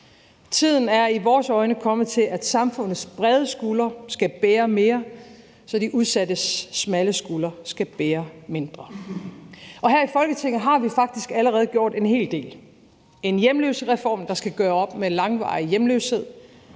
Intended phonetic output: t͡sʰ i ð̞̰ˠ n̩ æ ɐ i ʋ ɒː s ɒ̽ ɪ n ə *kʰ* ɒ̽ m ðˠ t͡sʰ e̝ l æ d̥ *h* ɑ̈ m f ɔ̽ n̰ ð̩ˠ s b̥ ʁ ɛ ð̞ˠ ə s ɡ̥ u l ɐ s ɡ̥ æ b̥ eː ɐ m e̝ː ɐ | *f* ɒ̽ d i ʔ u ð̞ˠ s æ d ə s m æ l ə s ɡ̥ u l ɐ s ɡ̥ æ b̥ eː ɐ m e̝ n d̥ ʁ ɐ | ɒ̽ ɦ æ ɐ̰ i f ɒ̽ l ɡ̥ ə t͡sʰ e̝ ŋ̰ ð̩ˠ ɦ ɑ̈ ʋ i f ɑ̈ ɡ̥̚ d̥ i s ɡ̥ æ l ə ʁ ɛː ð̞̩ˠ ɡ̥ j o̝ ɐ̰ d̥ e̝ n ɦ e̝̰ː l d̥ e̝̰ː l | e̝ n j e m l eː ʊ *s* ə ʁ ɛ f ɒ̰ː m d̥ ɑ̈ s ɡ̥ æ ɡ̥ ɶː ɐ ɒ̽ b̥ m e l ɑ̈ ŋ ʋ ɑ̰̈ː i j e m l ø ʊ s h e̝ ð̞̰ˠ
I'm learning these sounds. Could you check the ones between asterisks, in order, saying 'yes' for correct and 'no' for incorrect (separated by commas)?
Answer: yes, no, no, yes